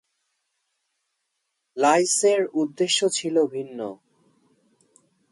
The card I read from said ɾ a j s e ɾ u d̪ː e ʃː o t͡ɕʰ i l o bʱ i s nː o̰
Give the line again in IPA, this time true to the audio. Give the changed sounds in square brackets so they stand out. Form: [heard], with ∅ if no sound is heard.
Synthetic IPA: [l] a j s e ɾ u d̪ː e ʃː o t͡ɕʰ i l o bʱ i [∅] nː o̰